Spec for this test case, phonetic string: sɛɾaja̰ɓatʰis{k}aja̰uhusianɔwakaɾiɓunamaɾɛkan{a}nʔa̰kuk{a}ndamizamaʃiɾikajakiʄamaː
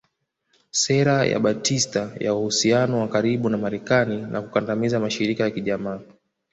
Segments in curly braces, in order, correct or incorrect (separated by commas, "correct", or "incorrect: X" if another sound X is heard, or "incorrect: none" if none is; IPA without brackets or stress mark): incorrect: t, incorrect: i, correct